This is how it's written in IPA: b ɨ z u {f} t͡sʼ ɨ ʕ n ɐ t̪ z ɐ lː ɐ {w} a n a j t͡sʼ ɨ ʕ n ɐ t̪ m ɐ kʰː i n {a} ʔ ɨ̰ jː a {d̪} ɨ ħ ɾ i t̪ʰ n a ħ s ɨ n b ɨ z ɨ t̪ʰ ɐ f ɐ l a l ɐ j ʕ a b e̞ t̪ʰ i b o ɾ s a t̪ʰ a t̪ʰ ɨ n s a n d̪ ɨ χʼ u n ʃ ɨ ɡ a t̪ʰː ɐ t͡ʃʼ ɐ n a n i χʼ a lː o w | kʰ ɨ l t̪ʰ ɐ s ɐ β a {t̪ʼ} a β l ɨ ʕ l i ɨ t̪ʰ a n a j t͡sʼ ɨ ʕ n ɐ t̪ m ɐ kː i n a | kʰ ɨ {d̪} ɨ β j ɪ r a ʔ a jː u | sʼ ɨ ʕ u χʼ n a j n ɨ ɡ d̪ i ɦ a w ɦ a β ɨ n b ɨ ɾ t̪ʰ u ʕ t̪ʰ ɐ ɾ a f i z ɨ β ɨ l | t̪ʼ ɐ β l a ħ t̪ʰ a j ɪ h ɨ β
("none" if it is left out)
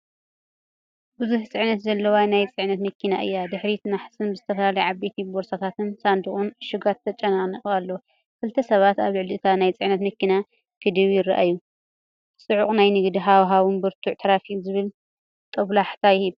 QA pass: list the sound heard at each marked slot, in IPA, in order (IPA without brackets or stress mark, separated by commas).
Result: ħ, w, a, d̪, t̪, d̪